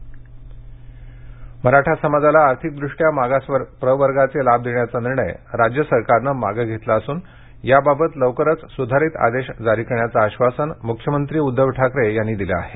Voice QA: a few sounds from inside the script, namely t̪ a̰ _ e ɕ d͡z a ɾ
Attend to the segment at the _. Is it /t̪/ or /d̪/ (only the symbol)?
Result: d̪